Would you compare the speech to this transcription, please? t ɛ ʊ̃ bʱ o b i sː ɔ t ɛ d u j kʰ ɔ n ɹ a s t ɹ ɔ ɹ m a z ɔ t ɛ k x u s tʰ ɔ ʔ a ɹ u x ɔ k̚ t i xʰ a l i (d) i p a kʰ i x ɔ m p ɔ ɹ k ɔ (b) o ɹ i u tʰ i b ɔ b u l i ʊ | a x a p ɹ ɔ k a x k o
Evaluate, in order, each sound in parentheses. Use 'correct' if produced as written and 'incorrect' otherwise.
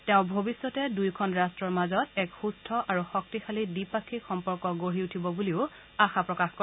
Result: correct, incorrect: ɡ

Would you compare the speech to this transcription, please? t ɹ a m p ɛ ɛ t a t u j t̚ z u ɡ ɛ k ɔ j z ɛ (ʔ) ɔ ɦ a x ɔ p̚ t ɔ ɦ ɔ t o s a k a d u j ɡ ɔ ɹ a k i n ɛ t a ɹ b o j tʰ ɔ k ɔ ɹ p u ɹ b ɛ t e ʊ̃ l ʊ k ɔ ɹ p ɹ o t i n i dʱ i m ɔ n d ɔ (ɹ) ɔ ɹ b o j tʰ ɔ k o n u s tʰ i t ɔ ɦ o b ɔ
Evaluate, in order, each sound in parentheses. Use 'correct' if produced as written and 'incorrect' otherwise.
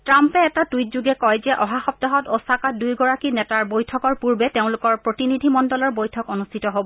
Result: correct, incorrect: l

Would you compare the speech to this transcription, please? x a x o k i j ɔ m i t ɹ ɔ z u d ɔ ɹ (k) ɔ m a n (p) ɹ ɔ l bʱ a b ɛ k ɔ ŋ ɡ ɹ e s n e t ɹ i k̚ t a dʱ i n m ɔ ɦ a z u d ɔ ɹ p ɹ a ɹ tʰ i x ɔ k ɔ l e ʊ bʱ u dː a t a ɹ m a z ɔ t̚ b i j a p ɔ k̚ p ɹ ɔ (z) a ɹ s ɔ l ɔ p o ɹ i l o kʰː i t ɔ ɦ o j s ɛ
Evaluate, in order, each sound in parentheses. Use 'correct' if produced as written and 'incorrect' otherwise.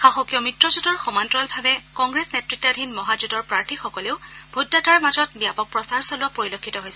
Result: incorrect: x, incorrect: t, incorrect: s

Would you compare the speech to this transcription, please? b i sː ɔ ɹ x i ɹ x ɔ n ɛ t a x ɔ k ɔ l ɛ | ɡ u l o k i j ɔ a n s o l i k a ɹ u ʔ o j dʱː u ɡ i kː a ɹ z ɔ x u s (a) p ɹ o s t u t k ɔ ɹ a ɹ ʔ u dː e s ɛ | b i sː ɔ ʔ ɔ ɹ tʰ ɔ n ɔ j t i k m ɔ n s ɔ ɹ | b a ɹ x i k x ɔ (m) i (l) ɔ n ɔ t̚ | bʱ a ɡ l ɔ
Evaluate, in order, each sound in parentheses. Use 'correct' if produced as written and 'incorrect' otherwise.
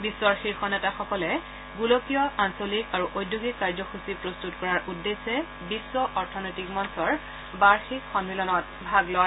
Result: incorrect: i, incorrect: n, correct

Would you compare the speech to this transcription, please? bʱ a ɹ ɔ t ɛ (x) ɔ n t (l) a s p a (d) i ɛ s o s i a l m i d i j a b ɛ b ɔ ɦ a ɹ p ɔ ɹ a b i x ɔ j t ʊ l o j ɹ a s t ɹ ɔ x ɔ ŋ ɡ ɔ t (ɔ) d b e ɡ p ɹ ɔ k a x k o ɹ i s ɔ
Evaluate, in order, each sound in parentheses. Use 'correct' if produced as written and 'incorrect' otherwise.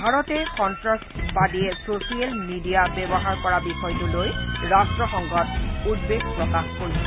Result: incorrect: k, incorrect: ɹ, correct, incorrect: u

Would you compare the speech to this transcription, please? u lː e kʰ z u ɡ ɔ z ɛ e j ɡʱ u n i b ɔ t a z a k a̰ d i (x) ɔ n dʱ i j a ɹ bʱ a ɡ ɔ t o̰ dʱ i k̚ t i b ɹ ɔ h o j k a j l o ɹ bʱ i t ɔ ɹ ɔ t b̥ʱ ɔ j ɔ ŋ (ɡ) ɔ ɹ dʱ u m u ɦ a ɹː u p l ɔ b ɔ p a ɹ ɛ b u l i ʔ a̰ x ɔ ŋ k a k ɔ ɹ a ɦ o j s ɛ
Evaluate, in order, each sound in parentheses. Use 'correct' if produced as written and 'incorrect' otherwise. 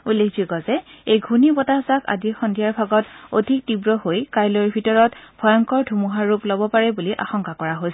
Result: correct, incorrect: k

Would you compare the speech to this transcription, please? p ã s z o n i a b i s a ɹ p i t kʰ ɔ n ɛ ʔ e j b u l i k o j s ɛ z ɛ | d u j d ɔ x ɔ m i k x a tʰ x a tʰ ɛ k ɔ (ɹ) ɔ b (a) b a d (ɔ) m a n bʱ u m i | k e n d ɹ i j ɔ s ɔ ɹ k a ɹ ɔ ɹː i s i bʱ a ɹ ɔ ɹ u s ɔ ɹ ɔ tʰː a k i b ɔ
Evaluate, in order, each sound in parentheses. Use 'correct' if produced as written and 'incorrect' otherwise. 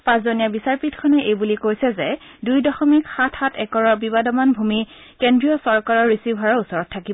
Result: correct, incorrect: i, correct

